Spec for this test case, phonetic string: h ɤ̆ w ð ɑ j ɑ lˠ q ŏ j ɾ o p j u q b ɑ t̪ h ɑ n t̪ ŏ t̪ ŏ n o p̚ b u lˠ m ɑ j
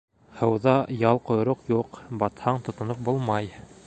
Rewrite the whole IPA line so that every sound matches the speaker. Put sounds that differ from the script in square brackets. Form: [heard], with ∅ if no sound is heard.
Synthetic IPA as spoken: h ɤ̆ w ð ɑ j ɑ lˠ q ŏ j ɾ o [q] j u q b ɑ t̪ h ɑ [ɴ] t̪ ŏ t̪ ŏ n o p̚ b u lˠ m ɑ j